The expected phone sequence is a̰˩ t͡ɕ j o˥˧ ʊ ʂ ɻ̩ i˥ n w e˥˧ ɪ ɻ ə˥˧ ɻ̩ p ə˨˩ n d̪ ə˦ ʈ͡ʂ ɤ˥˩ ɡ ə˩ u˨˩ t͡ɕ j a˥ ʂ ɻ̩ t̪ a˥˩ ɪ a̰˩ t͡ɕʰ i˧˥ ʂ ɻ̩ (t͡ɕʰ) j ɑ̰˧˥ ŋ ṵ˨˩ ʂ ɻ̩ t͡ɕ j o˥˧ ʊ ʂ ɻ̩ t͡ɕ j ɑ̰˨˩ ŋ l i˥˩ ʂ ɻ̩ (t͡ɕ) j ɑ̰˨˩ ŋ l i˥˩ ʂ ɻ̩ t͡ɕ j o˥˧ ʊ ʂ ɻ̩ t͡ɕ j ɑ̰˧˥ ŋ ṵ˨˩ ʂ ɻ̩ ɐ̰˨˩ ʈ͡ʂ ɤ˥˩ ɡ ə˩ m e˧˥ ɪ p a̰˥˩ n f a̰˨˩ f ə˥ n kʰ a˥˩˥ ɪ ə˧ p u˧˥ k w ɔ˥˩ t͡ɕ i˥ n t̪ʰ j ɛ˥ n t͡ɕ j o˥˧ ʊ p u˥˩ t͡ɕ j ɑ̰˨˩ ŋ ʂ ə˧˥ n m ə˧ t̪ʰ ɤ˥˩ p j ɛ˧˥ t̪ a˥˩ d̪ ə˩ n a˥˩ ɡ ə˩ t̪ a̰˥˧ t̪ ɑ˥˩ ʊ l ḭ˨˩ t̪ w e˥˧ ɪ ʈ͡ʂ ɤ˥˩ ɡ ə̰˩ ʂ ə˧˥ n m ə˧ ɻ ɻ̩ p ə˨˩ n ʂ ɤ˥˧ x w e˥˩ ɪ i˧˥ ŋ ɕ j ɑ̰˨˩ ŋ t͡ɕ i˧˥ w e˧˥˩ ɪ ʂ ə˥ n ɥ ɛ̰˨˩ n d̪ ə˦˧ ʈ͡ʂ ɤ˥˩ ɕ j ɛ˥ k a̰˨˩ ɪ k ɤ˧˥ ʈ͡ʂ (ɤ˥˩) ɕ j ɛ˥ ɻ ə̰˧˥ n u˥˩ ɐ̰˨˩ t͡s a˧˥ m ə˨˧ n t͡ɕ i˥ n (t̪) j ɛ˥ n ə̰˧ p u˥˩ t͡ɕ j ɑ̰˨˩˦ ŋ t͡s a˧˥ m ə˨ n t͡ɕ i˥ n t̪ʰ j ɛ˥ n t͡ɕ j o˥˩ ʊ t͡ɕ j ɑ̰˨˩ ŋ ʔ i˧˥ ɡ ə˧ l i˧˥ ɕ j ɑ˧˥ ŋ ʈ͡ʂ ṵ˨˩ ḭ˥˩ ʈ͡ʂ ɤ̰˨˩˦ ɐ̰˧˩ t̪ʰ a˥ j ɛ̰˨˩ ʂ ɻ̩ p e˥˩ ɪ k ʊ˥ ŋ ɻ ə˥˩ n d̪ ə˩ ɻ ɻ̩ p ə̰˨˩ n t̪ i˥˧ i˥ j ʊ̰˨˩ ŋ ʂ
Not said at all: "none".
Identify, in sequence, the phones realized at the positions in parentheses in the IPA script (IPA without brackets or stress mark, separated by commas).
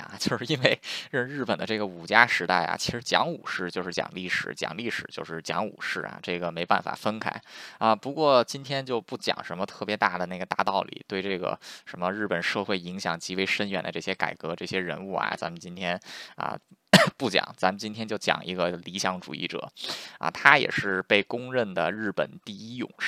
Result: t͡ɕ, t͡ɕ, ɤ˥˩, t̪ʰ